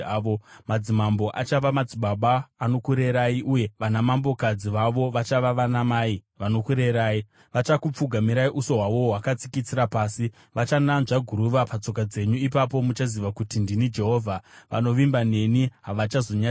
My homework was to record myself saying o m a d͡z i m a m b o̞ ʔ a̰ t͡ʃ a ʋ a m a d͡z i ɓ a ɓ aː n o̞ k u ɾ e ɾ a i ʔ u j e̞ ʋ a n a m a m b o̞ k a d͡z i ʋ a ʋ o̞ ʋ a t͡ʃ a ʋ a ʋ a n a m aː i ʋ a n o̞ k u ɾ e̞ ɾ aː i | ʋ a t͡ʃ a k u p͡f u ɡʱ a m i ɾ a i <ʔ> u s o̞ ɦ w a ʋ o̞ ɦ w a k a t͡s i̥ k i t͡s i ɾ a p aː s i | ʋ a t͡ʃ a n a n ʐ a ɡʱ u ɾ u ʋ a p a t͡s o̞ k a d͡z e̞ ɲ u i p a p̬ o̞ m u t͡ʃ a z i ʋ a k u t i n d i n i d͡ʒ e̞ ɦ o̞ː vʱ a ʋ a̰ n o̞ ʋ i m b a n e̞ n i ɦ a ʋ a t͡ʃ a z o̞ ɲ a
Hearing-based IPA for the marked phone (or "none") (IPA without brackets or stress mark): ʔ